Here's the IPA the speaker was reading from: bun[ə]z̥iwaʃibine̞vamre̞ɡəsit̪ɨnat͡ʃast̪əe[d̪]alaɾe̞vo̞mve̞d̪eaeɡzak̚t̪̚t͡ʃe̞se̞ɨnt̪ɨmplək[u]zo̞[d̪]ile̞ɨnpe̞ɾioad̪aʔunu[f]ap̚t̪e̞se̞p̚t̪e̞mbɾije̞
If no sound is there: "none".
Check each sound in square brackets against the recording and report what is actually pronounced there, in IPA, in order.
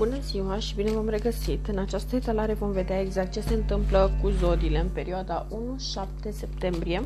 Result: ə, t̪, u, d̪, ʃ

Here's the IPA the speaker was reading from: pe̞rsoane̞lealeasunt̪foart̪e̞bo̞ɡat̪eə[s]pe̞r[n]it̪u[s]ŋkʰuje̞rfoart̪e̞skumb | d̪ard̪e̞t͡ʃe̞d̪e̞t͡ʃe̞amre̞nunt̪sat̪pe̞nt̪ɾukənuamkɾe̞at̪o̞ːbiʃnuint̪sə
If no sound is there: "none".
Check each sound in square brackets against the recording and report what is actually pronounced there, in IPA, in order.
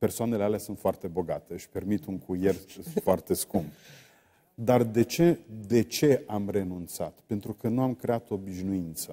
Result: ʃ, m, none

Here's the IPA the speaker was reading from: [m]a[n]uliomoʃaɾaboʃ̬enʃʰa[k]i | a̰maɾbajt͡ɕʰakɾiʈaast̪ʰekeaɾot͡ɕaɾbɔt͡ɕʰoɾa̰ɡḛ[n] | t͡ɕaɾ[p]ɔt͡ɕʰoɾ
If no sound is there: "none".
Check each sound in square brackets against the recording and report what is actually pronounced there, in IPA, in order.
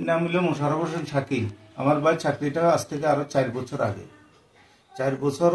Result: n, m, k, none, b

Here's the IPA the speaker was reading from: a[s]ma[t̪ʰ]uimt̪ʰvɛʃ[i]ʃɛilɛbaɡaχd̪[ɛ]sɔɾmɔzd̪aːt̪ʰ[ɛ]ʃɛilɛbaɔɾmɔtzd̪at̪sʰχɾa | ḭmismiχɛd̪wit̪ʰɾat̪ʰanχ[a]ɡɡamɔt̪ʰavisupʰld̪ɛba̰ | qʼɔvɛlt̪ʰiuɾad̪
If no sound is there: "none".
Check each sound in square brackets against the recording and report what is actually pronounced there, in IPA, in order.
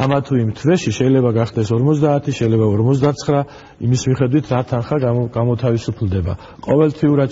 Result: none, t̪ʰ, i, ɛ, i, a

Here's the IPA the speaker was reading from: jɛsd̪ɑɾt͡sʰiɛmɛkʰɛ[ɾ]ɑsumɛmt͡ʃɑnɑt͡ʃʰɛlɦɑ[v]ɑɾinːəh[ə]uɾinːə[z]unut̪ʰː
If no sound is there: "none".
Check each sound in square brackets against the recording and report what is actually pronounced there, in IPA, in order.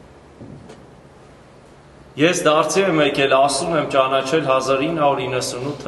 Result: l, z, ɑ, s

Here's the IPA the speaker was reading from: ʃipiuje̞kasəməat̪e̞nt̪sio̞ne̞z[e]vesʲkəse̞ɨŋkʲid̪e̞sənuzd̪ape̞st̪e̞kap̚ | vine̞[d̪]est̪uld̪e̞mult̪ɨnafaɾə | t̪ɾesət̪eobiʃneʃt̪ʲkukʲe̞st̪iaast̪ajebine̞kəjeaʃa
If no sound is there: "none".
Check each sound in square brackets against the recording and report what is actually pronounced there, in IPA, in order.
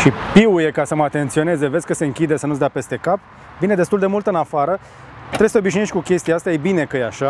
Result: e, d̪

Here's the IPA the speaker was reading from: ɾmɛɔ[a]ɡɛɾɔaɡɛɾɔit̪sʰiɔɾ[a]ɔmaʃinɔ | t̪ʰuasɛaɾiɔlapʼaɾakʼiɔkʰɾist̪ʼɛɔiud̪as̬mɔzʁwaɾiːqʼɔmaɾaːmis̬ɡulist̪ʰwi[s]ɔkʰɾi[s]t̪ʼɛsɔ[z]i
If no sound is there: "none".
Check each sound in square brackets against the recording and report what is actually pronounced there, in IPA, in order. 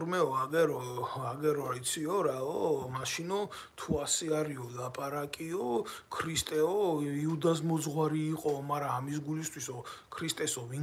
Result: a, a, s, s, v

